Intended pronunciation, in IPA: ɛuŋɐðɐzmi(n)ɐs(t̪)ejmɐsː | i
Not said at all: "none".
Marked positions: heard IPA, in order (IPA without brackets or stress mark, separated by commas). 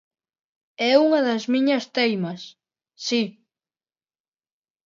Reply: ɲ, t̪